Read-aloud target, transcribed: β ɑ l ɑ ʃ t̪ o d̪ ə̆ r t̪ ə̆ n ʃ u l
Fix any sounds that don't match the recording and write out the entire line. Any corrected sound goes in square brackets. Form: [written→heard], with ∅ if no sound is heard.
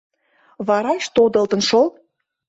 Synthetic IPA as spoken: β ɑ [l→ɾ] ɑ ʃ t̪ o d̪ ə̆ [r→l] t̪ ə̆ n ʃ [u→o] l